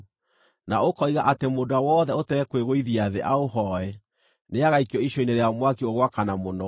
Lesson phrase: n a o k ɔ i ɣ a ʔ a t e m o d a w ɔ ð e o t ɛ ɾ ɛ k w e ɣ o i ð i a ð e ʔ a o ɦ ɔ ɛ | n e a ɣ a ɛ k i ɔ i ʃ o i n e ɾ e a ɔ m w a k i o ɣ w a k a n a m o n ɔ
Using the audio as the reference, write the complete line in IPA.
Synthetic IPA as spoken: n a o k ɔ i ɣ a ʔ a t e m o d a w ɔ ð ɛ o t ɛ ɾ ɛ k w e ɣ o i ð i a ð e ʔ a o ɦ ɔ ɛ | n e a ɣ a i k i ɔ i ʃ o i n e ɾ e a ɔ m w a k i o ɣ w a k a n a m o n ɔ